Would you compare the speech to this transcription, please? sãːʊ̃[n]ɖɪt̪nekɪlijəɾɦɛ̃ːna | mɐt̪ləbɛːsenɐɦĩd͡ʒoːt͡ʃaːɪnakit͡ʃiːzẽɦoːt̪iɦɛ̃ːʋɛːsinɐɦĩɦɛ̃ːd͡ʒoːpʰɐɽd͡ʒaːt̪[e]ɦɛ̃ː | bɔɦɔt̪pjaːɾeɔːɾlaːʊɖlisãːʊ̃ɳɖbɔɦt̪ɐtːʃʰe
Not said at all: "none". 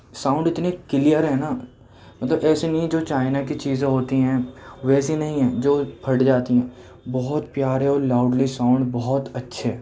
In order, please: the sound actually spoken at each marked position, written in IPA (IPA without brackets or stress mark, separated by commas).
ɳ, i